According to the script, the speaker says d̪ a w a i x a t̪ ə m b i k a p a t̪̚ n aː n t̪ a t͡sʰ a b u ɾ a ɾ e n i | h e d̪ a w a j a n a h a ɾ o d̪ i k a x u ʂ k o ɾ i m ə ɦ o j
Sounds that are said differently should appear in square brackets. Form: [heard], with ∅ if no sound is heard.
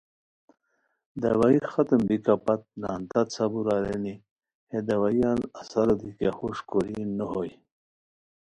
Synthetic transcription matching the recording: d̪ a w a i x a t̪ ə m b i k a p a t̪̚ n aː n t̪ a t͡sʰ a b u ɾ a ɾ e n i | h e d̪ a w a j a n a [s] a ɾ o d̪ i k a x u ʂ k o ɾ i [n] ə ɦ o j